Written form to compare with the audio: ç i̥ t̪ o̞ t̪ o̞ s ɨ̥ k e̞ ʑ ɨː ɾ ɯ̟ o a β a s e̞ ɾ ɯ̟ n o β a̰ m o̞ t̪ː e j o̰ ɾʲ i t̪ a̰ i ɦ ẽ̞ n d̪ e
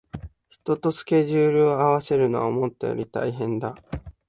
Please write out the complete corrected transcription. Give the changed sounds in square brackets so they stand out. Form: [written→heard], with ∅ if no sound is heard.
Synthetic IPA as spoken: ç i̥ t̪ o̞ t̪ o̞ s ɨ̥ k e̞ ʑ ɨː ɾ ɯ̟ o a β a s e̞ ɾ ɯ̟ n o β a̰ m o̞ t̪ː e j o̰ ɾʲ i t̪ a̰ i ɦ ẽ̞ n d̪ [e→a]